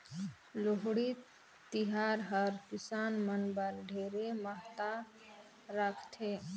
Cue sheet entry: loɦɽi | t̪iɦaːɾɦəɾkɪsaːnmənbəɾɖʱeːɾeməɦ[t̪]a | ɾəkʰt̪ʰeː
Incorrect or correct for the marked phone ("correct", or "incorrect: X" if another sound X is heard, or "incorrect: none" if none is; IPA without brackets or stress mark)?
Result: correct